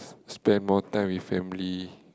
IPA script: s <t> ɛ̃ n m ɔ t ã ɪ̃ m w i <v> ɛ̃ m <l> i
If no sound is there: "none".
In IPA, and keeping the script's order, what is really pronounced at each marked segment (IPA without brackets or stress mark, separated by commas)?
p, f, l